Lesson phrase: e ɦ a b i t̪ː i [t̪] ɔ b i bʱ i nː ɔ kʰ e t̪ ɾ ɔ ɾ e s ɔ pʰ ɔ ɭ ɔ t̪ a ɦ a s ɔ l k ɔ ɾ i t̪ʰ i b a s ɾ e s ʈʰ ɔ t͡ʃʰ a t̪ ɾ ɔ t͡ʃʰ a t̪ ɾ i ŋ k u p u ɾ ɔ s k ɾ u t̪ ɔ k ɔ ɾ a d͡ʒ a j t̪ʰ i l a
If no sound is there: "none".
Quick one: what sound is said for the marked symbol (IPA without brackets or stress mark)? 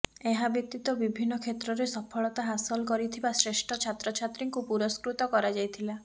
t̪